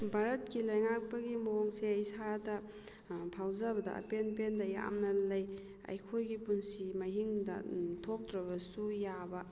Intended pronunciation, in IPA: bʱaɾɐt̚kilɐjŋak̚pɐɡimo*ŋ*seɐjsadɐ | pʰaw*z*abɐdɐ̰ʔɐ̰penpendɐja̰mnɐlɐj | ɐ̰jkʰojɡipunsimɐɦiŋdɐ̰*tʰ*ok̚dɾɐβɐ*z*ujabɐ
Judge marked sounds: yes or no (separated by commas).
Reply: yes, yes, yes, no